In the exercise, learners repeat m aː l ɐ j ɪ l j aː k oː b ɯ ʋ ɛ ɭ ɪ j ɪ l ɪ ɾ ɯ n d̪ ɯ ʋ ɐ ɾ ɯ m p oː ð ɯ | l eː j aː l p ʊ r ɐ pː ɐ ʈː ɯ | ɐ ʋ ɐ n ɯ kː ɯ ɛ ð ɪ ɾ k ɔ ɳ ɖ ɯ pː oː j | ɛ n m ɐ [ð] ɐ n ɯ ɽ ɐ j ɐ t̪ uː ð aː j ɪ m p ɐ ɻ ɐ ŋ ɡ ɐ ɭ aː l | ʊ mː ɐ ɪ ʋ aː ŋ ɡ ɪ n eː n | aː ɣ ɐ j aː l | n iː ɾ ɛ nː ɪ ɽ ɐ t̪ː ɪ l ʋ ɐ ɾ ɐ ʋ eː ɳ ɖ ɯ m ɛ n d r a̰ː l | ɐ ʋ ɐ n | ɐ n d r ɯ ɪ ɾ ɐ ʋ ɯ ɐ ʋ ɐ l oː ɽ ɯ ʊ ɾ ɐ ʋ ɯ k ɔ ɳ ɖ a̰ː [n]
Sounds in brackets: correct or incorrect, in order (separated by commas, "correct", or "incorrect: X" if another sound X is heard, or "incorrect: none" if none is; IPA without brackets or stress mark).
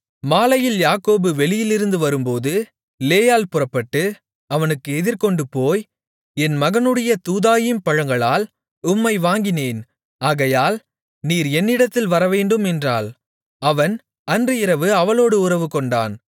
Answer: incorrect: ɣ, correct